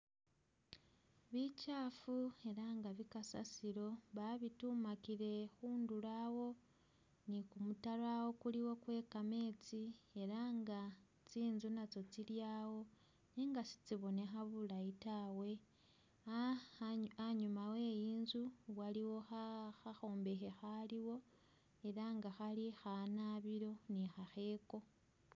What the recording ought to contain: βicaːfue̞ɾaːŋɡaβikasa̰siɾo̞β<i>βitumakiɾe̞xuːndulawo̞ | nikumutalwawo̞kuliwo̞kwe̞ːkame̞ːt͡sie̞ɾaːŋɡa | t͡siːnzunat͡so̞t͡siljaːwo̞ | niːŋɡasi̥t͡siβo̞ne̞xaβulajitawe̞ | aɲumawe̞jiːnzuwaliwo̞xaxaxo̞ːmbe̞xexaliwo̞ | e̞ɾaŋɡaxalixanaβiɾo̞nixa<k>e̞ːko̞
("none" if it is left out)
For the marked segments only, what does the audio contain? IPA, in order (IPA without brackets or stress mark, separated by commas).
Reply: a, x